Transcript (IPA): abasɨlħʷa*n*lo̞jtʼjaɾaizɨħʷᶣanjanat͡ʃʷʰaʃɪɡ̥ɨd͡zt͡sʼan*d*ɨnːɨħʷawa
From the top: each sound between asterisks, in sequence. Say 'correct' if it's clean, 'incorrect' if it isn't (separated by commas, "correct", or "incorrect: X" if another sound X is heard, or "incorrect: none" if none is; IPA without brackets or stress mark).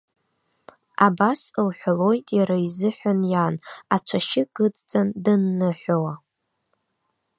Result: incorrect: none, correct